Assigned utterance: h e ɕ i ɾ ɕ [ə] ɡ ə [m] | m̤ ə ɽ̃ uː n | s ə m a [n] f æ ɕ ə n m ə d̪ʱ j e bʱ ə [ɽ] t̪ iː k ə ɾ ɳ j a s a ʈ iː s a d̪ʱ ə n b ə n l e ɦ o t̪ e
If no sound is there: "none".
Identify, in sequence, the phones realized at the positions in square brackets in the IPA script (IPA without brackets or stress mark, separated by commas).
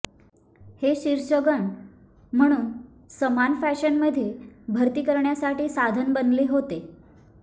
ə, ɳ, n, ɾ